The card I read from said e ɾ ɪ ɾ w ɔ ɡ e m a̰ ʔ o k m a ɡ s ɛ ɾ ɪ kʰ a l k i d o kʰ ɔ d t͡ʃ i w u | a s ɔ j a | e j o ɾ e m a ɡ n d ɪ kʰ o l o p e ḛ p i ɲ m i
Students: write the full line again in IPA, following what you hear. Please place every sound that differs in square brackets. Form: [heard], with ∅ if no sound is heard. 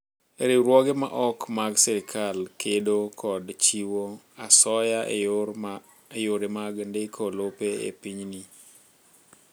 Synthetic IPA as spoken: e ɾ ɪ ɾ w ɔ ɡ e m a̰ ʔ [ɔ] k m a ɡ s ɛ ɾ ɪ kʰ a l k [e] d o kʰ ɔ d t͡ʃ i w [o] | a s ɔ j a | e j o ɾ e m a ɡ n d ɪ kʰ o l o p e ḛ p i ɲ [n] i